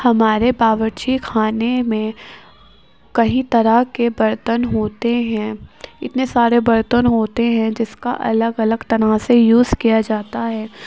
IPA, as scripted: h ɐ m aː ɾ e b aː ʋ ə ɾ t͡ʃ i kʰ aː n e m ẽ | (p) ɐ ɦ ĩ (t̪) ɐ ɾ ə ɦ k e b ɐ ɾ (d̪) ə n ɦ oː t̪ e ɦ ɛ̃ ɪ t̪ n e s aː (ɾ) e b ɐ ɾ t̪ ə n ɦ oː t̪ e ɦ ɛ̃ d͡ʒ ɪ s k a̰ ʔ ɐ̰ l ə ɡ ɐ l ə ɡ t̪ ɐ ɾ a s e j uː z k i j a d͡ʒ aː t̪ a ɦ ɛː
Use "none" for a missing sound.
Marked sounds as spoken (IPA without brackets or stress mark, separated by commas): k, t̪, t̪, ɾ